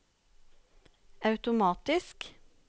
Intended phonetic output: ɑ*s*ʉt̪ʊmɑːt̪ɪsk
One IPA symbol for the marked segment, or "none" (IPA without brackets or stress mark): none